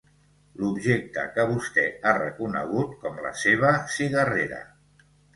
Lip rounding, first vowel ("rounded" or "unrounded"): rounded